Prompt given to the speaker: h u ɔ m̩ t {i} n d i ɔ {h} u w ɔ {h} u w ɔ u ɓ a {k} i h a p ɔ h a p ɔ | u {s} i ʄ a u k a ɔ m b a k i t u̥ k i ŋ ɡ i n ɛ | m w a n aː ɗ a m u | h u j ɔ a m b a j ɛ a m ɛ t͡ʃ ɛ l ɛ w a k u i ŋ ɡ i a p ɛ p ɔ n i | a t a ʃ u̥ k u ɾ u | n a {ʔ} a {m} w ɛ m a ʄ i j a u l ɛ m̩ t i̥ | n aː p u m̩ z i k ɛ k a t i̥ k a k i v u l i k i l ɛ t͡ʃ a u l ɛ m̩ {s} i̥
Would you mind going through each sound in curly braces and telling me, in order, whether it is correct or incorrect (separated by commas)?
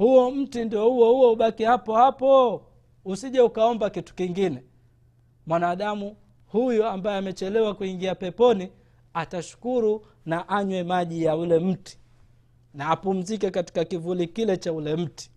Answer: correct, correct, correct, correct, correct, correct, incorrect, incorrect